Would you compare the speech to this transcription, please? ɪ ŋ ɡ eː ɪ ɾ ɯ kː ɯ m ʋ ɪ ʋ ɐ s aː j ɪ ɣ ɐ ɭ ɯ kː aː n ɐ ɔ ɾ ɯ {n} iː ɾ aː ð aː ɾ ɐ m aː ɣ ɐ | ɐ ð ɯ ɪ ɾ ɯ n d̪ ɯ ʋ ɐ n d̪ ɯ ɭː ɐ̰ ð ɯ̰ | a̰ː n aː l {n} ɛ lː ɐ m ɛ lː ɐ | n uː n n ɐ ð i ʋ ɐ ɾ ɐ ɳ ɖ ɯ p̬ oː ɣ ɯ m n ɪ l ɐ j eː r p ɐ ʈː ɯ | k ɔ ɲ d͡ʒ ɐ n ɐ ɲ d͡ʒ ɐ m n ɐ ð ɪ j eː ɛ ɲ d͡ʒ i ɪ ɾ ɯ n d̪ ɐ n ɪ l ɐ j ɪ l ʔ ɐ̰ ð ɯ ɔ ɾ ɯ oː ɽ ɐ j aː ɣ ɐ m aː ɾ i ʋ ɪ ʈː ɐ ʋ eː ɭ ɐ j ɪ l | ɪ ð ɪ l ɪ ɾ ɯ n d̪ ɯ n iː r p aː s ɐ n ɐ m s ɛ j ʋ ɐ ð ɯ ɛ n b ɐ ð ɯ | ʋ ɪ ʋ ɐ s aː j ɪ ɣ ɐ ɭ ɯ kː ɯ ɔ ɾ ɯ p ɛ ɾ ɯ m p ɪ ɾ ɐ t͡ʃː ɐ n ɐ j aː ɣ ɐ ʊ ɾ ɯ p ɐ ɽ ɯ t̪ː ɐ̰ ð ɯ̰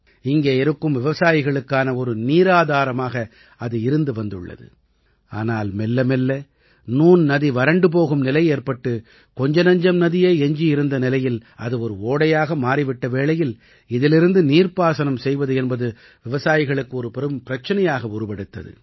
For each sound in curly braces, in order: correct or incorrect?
correct, incorrect: m

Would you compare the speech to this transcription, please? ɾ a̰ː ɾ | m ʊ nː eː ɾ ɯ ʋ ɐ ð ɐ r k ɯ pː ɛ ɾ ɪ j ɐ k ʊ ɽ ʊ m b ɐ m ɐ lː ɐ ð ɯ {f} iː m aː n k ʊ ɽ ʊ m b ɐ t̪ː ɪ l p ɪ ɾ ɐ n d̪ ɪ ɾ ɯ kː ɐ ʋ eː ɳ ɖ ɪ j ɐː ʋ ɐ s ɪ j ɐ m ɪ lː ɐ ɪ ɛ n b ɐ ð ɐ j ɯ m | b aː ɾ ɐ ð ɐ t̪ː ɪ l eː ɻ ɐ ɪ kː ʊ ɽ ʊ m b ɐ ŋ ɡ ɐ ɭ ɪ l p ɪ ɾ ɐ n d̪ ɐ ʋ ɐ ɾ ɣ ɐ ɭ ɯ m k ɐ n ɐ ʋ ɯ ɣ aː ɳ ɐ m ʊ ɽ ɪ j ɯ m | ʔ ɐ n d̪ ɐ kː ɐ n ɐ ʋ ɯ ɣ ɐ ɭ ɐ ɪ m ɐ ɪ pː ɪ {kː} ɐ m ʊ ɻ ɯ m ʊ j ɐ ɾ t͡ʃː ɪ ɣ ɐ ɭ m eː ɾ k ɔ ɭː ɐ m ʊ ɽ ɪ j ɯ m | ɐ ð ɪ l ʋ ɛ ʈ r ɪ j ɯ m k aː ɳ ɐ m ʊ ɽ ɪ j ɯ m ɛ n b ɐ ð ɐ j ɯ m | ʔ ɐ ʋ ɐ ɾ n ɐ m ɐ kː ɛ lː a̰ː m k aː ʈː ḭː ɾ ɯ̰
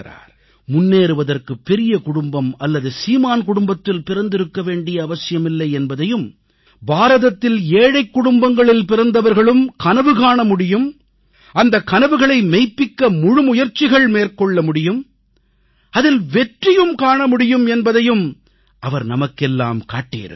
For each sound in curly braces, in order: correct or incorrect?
incorrect: s, correct

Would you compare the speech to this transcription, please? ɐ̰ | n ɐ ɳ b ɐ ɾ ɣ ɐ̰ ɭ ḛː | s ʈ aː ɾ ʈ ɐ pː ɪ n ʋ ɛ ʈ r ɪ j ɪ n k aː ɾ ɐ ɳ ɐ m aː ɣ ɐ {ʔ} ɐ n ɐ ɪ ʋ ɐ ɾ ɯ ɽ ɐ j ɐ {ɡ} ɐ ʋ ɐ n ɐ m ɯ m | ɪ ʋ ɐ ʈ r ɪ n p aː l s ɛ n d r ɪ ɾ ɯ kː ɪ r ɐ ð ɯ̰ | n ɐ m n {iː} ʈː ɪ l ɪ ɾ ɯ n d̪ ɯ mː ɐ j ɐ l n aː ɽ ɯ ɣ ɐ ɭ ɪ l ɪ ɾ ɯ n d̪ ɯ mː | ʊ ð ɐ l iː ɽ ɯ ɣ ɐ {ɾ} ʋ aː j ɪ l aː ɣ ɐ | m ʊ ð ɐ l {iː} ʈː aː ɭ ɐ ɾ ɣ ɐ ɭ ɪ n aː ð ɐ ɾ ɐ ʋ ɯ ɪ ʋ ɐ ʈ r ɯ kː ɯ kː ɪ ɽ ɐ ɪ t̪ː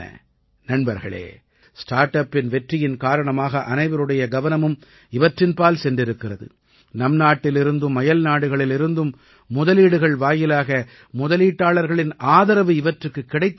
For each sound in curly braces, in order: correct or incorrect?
correct, correct, incorrect: aː, incorrect: ɭ, correct

